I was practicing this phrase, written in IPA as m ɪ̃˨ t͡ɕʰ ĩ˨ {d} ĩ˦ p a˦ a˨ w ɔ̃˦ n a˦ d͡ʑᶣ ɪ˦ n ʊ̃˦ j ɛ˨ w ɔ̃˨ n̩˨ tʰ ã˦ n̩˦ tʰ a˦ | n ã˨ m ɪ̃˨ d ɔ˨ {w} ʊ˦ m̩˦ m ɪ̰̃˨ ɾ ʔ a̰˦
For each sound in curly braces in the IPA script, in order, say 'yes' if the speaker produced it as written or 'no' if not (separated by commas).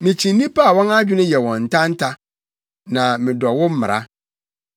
no, yes